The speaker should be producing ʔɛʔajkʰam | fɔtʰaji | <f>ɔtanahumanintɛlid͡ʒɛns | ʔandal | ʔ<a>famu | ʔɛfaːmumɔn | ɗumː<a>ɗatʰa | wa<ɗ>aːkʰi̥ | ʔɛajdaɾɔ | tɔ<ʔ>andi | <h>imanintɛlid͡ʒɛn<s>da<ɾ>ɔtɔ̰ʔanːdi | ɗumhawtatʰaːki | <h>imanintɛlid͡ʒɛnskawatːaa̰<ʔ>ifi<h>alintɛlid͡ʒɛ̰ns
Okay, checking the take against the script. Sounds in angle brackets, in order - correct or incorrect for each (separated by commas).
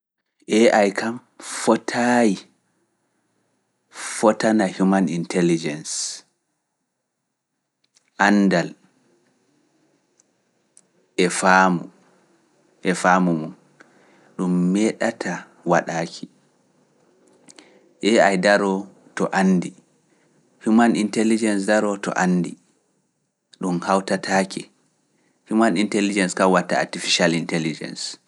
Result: correct, incorrect, incorrect, correct, correct, incorrect, correct, correct, incorrect, incorrect, incorrect